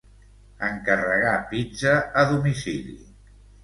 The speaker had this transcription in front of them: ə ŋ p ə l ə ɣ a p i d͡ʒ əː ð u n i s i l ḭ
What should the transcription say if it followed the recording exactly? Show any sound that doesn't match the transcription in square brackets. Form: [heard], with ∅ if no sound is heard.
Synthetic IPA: ə ŋ [k] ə [r] ə ɣ a p i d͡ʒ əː ð u [m] i s i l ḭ